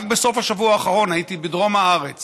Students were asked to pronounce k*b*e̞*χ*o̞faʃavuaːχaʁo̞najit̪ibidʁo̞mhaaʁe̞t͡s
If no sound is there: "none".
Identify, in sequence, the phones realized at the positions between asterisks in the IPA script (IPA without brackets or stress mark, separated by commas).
b, s